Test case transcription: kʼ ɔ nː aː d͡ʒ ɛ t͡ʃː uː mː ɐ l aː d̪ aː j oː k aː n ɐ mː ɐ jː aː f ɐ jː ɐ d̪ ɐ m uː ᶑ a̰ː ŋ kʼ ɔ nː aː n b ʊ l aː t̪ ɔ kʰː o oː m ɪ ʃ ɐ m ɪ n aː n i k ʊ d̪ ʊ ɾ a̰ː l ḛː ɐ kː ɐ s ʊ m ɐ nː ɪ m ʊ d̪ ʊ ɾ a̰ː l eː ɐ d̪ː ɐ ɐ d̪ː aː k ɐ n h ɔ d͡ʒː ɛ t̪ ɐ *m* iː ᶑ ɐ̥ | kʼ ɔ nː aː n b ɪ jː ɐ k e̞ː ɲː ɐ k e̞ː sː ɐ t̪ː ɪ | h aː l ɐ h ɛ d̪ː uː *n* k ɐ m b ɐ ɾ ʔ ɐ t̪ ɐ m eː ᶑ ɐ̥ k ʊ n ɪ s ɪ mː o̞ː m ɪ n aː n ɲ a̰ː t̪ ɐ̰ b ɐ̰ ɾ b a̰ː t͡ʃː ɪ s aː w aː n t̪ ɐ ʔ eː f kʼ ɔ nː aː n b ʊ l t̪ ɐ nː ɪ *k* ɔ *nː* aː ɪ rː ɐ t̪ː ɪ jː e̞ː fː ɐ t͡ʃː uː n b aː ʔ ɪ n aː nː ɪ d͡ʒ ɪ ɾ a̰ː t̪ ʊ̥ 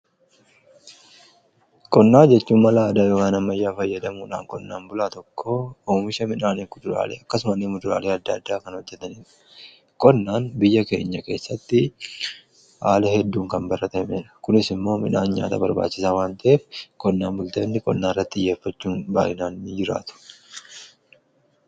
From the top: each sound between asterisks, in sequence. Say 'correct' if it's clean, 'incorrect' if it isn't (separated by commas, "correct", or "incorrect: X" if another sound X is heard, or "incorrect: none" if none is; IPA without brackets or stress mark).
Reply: incorrect: n, incorrect: ŋ, incorrect: kʼ, correct